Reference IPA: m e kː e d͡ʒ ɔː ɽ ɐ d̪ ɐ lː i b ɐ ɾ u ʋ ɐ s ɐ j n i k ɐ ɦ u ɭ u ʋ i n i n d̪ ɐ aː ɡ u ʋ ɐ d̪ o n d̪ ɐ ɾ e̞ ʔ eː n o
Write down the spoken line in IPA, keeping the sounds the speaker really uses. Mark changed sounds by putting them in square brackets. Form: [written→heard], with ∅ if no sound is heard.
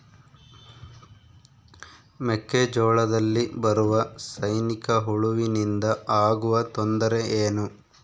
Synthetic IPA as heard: m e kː e d͡ʒ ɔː [ɽ→ɭ] ɐ d̪ ɐ lː i b ɐ ɾ u ʋ ɐ s ɐ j n i k ɐ ɦ u ɭ u ʋ i n i n d̪ ɐ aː ɡ u ʋ ɐ [d̪→t̪] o n d̪ ɐ ɾ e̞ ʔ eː n [o→u]